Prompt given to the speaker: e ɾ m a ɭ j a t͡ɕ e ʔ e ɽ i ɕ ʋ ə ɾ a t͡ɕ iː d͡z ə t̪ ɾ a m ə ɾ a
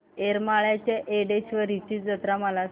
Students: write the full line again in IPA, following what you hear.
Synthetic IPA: e ɾ m a ɭ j a t͡ɕ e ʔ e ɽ e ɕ ʋ ə ɾ i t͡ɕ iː d͡z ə t̪ ɾ a m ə l a